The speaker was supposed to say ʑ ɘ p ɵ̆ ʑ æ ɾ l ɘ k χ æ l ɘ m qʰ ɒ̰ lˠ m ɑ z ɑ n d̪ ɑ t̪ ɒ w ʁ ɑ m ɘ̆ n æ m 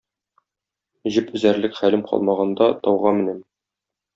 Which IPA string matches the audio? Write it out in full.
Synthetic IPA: ʑ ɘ p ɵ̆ z æ ɾ l ɘ k χ æ l ɘ m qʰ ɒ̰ lˠ m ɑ ʁ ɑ n d̪ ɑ t̪ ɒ w ʁ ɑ m ɘ̆ n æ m